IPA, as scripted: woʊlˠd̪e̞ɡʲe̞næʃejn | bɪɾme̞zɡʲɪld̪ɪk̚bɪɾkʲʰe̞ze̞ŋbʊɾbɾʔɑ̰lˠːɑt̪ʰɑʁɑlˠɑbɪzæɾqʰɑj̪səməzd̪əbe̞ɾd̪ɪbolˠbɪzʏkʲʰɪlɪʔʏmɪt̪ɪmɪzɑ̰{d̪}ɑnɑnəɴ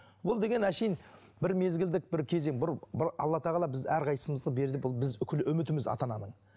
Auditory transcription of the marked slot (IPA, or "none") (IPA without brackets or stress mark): t̪